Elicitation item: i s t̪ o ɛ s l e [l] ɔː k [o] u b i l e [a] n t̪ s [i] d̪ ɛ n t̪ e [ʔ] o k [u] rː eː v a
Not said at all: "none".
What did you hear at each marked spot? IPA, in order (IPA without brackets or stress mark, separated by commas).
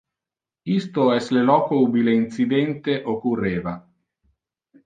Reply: l, o, i, i, ʔ, u